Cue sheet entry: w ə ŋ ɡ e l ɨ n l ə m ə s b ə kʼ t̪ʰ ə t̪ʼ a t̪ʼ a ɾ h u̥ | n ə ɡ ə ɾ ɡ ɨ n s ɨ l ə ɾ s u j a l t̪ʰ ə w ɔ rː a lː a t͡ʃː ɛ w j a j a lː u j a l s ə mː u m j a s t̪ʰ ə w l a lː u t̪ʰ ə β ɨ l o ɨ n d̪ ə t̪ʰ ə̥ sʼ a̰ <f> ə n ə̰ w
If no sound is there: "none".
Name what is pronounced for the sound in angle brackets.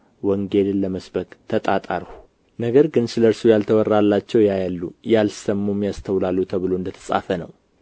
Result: f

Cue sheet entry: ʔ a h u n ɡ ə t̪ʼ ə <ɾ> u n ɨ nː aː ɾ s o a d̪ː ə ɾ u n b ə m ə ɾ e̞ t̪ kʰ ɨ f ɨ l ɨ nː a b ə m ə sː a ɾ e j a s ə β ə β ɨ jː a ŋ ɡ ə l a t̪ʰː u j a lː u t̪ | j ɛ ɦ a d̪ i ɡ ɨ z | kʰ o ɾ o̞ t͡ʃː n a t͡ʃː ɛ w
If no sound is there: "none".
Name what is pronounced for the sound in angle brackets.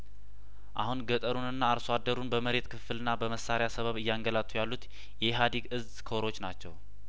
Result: ɾ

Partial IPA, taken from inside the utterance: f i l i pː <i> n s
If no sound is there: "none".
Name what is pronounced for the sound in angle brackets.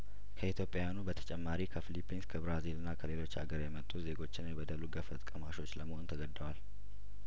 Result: i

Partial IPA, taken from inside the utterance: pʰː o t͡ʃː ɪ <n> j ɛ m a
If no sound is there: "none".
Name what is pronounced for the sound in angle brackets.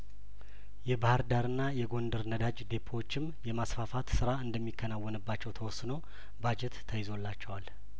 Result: m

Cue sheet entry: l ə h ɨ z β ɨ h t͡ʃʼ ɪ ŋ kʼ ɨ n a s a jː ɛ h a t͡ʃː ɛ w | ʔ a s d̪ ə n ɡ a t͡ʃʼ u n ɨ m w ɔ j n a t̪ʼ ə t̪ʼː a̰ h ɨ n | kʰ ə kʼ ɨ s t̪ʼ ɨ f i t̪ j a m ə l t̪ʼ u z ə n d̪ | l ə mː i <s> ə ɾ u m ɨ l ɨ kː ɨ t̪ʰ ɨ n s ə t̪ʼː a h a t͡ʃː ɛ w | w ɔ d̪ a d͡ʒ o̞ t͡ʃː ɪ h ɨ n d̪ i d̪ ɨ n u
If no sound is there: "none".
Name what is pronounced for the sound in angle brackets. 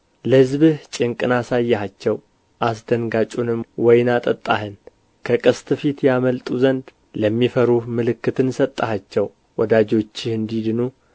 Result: f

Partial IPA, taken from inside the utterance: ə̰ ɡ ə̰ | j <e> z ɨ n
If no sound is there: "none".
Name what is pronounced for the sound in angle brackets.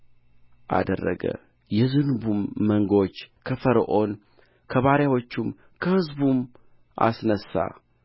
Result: ɛ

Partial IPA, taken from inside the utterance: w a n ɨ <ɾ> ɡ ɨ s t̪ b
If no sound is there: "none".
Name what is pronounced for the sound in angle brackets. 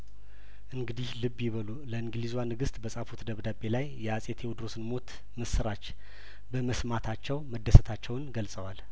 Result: none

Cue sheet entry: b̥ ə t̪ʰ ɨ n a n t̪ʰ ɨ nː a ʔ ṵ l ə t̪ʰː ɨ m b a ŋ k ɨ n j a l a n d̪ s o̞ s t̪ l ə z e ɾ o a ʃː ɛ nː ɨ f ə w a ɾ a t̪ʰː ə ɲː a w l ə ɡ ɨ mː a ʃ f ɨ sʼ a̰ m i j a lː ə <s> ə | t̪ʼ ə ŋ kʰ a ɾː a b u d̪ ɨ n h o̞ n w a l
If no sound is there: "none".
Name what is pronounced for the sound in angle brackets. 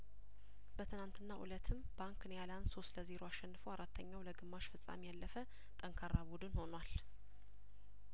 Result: f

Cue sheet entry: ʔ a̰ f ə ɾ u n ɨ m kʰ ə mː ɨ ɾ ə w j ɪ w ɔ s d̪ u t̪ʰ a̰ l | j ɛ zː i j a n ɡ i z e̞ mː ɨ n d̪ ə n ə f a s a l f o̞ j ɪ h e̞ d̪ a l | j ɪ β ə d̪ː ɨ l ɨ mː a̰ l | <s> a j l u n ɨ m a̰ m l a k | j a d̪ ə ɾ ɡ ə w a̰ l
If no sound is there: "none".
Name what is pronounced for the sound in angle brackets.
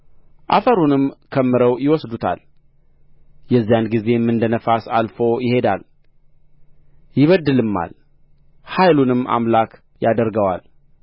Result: h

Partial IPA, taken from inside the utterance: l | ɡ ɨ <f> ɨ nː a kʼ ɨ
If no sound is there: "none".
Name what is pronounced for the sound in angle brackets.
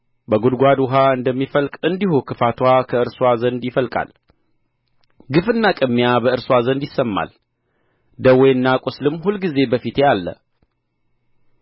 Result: f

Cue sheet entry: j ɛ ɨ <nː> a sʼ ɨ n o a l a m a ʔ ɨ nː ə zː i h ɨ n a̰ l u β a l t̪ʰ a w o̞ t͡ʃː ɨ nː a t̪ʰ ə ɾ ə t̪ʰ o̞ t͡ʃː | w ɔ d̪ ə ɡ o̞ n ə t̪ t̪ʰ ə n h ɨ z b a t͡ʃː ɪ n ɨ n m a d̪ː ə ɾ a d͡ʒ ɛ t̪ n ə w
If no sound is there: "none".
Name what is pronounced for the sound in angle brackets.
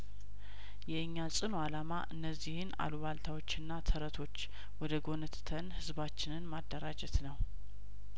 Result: ɲː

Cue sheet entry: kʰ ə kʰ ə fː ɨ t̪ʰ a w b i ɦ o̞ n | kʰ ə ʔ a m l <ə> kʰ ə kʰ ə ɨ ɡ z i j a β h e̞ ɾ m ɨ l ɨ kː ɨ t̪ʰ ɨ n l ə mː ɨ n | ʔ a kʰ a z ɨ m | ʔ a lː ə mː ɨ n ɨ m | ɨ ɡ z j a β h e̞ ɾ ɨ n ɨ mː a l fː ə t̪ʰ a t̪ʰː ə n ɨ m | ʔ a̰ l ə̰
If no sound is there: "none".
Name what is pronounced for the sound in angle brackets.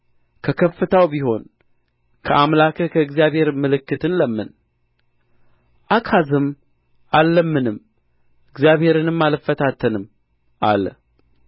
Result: a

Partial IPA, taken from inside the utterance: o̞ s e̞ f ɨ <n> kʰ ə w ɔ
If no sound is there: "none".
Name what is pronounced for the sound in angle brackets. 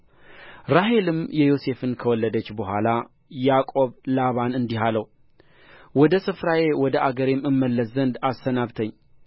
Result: n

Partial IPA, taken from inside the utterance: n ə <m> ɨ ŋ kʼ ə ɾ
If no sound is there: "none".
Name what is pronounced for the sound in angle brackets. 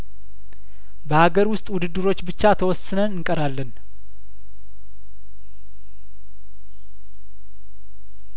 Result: n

